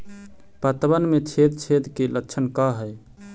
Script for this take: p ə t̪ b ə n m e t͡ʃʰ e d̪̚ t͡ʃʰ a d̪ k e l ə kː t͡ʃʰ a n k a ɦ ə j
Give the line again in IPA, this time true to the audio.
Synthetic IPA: p ə t̪ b ə n m e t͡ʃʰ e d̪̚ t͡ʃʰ e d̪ k e l ə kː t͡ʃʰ ə n k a ɦ ə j